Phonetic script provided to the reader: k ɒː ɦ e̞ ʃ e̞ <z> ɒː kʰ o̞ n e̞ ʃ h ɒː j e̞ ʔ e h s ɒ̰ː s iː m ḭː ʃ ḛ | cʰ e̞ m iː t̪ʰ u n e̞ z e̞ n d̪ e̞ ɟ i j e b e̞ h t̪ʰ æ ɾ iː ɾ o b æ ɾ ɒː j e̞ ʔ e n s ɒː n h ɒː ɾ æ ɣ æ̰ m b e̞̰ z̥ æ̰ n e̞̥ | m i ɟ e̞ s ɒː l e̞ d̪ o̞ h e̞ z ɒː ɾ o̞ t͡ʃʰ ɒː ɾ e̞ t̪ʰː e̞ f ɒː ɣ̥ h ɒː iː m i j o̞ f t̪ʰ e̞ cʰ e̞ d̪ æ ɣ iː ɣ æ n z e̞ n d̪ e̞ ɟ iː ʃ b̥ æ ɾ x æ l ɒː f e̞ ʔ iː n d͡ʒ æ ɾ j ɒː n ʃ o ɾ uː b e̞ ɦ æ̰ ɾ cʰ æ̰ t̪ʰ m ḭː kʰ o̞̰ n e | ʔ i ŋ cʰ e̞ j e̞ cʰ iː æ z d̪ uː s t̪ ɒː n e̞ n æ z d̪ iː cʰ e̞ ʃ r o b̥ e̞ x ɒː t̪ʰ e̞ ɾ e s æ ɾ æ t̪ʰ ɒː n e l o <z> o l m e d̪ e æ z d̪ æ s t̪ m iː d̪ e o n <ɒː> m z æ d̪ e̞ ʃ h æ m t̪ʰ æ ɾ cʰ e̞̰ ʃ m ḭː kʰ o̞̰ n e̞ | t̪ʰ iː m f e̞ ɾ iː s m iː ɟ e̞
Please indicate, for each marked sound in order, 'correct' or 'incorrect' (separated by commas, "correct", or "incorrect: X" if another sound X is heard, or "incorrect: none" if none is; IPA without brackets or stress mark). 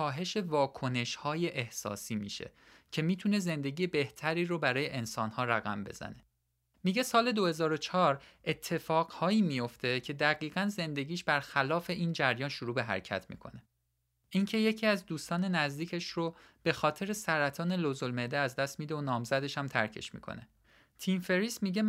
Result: incorrect: v, correct, correct